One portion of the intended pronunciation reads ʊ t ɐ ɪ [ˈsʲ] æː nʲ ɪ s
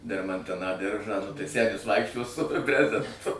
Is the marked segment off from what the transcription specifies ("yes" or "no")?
no